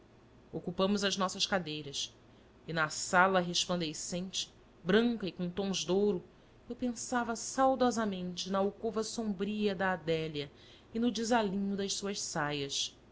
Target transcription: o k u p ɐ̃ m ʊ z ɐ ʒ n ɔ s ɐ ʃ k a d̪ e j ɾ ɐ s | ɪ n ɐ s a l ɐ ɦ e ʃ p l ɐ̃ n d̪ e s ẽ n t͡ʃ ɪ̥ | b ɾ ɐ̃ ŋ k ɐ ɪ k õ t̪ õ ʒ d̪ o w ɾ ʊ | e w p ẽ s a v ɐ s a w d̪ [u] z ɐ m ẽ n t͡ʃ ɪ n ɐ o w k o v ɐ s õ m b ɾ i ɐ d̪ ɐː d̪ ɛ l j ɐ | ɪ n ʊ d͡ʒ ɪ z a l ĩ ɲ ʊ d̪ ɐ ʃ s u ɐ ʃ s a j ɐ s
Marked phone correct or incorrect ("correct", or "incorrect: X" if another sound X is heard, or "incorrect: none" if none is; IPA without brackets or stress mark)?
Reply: incorrect: ɔ